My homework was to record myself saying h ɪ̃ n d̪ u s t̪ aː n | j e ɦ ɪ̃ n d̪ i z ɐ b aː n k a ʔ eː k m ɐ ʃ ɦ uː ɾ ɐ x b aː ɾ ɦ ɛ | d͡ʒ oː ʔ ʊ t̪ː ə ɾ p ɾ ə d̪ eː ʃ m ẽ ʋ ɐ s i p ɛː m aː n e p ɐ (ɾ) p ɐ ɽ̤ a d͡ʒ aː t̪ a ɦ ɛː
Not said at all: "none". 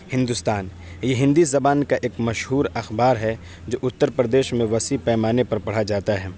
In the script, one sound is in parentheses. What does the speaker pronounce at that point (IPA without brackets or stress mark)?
ɾ